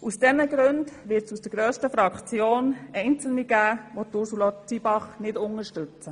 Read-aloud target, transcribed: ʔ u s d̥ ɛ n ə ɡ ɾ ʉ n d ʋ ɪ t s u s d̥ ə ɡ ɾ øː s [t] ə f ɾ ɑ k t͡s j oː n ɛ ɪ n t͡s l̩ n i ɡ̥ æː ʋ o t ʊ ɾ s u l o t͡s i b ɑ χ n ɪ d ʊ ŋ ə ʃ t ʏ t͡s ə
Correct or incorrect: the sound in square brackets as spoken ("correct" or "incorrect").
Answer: correct